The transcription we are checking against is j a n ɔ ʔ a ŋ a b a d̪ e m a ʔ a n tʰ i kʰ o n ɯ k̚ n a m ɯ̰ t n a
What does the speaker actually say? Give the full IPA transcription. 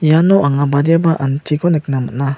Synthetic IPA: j a n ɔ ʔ a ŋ a b a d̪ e b a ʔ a n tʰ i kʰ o n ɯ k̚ n a m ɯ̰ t n a